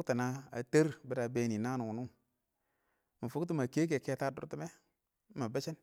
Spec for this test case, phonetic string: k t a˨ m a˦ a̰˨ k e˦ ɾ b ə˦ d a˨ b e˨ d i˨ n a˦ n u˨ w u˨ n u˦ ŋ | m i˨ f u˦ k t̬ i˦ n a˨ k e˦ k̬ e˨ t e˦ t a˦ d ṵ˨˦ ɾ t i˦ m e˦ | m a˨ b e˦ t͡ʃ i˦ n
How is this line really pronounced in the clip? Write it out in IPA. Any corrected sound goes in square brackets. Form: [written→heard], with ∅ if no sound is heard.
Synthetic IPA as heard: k t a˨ [m→n] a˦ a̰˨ [k→t] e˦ ɾ b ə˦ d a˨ b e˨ [d→n] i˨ n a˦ n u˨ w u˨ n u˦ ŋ | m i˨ f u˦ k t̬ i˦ [n→m] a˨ k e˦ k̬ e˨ [t→k] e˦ t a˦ d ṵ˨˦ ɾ t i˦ m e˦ | m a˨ b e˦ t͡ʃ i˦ n

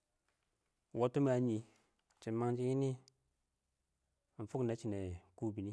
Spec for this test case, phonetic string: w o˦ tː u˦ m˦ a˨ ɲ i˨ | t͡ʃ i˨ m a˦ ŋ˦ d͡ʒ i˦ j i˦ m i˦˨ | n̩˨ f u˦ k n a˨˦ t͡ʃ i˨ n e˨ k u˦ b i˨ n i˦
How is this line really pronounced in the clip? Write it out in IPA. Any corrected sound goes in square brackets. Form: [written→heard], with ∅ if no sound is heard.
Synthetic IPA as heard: w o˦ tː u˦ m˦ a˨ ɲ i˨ | t͡ʃ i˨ m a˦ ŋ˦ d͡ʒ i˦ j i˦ [m→n] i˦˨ | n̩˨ f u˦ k n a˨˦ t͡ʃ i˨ n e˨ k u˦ b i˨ n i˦

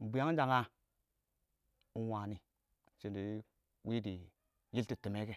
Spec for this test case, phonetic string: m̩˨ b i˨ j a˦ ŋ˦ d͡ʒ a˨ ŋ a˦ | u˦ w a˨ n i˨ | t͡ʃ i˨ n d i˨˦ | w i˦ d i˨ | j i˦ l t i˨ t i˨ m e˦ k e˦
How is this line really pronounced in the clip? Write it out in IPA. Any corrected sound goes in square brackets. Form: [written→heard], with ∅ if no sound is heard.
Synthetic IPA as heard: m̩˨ b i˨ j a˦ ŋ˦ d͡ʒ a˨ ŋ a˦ | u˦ w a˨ n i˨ | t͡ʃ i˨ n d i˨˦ | w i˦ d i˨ | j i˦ l t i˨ t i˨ m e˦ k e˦

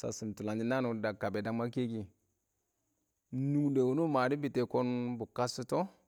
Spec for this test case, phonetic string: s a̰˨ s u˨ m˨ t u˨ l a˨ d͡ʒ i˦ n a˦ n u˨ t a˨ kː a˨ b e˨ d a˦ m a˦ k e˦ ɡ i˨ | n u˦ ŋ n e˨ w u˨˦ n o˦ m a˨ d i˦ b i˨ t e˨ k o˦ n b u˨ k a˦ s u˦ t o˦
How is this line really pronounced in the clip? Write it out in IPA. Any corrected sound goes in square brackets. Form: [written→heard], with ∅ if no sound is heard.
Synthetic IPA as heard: s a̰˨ s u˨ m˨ t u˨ l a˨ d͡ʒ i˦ n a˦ n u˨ [t→d] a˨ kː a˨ b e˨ d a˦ m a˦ k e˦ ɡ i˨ | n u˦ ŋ [n→d] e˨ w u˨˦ n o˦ m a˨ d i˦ b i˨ t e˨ k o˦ n b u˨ k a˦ s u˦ t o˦

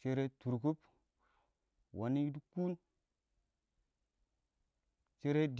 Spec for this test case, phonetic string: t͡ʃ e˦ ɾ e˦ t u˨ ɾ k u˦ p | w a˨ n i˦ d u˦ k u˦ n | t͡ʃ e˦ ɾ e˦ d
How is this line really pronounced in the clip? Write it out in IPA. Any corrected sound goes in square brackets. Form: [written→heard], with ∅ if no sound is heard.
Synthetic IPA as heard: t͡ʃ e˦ ɾ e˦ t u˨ ɾ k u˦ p | w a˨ n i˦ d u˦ k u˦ n | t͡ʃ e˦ ɾ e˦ d

